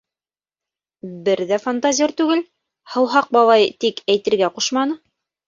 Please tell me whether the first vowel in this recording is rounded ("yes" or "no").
no